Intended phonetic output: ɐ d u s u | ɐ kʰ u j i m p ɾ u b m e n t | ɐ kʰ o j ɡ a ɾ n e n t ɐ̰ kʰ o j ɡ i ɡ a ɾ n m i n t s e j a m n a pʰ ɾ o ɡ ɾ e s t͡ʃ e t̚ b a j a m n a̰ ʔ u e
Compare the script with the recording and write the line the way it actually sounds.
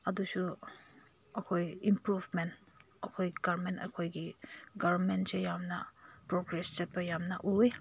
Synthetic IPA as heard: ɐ d u s u | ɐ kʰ o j i m p ɾ u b m e n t | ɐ kʰ o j ɡ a ɾ m e n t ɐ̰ kʰ o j ɡ i ɡ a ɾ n m e n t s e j a m n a p ɾ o ɡ ɾ e s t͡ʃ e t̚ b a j a m n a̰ ʔ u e